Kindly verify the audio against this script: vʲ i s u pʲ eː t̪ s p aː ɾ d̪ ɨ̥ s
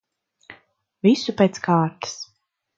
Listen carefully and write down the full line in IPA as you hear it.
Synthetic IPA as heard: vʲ i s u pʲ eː t̪ s k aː ɾ t̪ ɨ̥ s